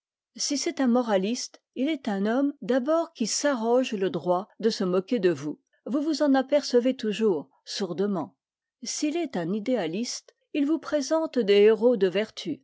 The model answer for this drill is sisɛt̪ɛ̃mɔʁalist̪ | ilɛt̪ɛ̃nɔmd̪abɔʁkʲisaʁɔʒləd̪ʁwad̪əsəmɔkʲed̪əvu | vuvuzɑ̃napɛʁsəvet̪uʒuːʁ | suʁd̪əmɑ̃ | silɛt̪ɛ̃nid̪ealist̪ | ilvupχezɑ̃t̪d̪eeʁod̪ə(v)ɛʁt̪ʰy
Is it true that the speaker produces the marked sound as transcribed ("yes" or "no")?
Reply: yes